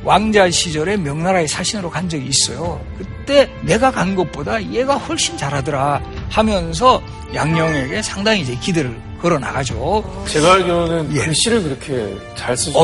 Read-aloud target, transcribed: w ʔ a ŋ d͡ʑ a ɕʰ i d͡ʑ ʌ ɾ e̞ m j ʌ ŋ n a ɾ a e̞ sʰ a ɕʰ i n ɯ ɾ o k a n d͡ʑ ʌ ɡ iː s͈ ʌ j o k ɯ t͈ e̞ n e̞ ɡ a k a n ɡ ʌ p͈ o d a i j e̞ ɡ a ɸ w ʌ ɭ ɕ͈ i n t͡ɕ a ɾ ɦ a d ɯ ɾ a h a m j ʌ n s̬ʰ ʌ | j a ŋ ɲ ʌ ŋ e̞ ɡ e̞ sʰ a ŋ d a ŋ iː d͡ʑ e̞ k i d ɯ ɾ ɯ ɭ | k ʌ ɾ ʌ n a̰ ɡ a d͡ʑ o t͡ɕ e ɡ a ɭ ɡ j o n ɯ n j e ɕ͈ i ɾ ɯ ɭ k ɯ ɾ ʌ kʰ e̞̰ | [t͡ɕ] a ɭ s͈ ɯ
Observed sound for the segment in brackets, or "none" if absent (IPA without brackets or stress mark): t͡ɕ